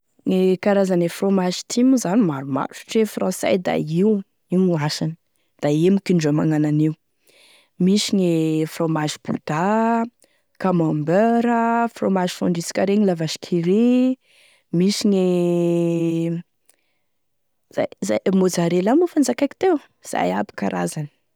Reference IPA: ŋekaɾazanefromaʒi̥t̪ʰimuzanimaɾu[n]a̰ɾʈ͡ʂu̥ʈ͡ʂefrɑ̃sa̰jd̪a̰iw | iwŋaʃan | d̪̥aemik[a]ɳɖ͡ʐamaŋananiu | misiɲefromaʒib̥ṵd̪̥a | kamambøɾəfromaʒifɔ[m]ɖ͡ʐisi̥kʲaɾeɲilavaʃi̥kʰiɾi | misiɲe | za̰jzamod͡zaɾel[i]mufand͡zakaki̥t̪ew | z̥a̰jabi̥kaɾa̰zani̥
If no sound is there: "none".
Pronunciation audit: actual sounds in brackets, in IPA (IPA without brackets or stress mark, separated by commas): m, i, ɳ, a